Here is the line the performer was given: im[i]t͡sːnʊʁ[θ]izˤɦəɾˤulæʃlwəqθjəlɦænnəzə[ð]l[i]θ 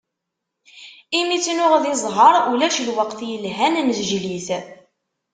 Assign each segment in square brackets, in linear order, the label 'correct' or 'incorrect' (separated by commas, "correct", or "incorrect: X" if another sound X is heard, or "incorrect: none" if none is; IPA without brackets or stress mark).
correct, incorrect: ð, incorrect: ʒ, correct